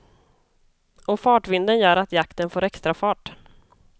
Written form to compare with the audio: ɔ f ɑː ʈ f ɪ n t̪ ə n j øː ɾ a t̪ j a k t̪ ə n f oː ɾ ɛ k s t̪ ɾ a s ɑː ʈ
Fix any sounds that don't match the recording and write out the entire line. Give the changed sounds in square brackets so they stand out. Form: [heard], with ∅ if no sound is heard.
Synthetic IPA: ɔ f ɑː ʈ [v] ɪ n [d̪] ə n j [œː] ɾ a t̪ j a k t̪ ə n f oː ɾ ɛ k s t̪ ɾ a [f] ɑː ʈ